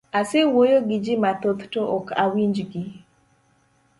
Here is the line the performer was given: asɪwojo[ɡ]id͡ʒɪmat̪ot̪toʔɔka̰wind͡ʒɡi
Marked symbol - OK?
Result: yes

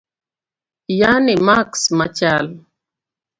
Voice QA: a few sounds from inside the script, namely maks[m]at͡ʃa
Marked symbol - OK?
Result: yes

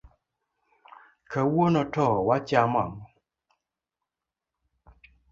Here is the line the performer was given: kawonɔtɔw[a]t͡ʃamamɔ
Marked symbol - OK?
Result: yes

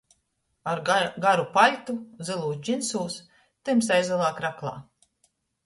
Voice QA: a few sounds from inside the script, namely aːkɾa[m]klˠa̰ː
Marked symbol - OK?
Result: no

